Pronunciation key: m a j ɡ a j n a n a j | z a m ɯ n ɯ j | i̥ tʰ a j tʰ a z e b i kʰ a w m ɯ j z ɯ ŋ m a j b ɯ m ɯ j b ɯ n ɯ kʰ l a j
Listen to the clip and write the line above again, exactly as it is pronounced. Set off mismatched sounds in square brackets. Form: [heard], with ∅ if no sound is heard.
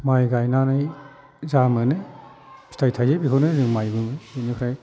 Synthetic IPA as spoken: m a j ɡ a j n a n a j | z a m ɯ n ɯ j | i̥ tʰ a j tʰ a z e b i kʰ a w [n] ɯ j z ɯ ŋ m a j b ɯ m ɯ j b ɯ n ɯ kʰ [ɾ] a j